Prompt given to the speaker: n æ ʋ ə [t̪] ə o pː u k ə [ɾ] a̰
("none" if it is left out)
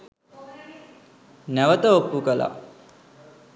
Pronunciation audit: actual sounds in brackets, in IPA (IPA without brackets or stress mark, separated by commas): t̪, l